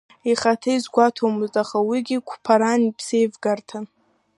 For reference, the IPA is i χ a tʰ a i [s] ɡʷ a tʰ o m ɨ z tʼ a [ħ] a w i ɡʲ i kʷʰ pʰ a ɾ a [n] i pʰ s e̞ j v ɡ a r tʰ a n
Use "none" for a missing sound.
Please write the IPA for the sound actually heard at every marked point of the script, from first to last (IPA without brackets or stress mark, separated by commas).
z, χ, n